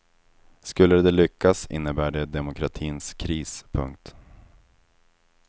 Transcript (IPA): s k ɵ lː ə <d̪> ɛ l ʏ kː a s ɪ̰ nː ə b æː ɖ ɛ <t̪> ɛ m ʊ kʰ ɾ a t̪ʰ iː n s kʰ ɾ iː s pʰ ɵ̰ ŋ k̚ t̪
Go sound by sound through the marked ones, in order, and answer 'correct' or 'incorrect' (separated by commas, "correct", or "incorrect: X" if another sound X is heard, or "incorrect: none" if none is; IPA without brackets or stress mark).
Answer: correct, incorrect: d̪